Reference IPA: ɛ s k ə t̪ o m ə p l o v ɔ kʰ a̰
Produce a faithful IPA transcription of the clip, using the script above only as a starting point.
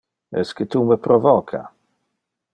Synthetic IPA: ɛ s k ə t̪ u m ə p ɾ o v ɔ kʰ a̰